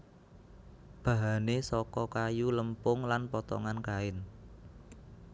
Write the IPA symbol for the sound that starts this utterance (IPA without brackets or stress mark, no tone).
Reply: b̥